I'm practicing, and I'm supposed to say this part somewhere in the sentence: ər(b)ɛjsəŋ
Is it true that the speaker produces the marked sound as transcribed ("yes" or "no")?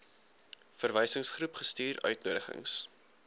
no